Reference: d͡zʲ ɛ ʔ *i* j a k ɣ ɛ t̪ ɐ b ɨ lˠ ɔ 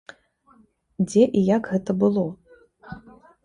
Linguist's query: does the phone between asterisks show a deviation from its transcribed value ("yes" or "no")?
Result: no